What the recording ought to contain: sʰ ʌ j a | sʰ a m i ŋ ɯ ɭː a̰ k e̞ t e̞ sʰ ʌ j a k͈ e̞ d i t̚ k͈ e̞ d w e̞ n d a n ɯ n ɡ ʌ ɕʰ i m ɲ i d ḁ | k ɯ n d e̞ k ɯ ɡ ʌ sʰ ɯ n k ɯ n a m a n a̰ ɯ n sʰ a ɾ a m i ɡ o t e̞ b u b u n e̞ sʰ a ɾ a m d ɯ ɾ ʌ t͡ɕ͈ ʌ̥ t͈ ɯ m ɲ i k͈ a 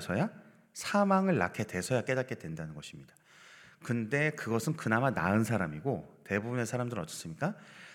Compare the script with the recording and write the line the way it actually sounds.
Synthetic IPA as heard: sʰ ʌ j a | sʰ a m a ŋ ɯ ɭː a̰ kʰ e̞ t e̞ sʰ ʌ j a k͈ e̞ d a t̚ k͈ e̞ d w e̞ n d a n ɯ n ɡ ʌ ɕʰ i m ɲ i d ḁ | k ɯ n d e̞ k ɯ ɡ ʌ sʰ ɯ n k ɯ n a m a n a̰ ɯ n sʰ a ɾ a m i ɡ o t e̞ b u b u n e̞ sʰ a ɾ a m d ɯ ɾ ʌ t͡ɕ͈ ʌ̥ s͈ ɯ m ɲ i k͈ a